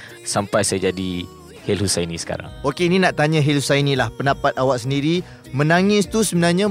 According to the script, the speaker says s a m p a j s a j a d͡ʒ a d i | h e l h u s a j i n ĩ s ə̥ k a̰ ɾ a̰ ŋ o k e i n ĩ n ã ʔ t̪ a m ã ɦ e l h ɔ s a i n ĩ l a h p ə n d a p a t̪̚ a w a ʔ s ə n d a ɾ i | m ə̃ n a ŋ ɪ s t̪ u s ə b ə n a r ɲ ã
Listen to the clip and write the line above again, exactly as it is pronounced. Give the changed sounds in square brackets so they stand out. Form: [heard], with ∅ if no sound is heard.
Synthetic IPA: s a m p a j s a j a d͡ʒ a d i | h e l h u s a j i n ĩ s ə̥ k a̰ ɾ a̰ ŋ o k e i n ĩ n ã ʔ t̪ a [ɲ] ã ɦ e l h [u] s a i n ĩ l a h p ə n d a p a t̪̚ a w a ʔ s ə n d [i] ɾ i | m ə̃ n a ŋ ɪ s t̪ u s ə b ə n a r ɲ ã